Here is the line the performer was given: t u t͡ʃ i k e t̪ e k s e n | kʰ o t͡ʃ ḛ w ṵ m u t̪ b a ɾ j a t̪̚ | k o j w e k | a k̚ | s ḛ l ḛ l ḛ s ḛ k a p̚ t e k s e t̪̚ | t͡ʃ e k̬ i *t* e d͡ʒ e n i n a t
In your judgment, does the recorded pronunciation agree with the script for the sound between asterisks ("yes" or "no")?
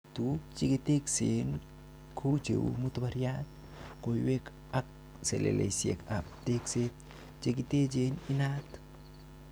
yes